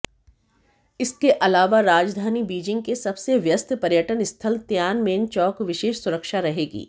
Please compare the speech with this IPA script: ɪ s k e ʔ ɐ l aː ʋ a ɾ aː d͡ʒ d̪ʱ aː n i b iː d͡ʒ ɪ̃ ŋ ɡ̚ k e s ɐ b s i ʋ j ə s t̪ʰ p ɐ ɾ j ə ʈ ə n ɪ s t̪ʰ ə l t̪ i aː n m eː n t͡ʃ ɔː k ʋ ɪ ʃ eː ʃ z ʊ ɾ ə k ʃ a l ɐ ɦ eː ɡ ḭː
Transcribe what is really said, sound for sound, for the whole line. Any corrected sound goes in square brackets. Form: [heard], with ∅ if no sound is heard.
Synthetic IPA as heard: ɪ s k e ʔ ɐ l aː ʋ a ɾ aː d͡ʒ d̪ʱ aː n i b iː d͡ʒ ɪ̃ ŋ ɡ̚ k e s ɐ b s [e] ʋ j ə s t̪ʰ p ɐ ɾ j ə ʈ ə n ɪ s t̪ʰ ə l t̪ [j] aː n m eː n t͡ʃ ɔː k ʋ ɪ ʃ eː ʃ [s] ʊ ɾ ə k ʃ a [ɾ] ɐ ɦ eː ɡ ḭː